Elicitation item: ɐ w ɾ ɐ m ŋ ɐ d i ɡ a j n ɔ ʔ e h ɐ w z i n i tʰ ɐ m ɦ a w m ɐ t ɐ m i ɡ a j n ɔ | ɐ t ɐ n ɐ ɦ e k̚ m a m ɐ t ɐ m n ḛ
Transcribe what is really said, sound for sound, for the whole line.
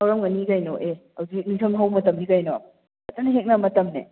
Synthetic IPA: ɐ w ɾ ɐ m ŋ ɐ n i ɡ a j n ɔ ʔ e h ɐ w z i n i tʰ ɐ m ɦ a w m ɐ t ɐ m i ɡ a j n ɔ | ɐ t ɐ n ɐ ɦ e k̚ n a m ɐ t ɐ m n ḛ